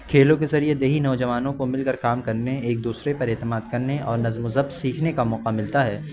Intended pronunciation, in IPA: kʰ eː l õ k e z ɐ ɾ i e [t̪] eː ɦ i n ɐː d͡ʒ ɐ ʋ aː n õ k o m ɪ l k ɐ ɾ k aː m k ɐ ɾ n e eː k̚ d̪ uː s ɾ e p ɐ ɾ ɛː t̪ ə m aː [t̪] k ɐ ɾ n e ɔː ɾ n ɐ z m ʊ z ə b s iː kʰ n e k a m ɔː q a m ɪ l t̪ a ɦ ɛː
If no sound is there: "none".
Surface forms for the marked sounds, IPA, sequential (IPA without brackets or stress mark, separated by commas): d̪, d̪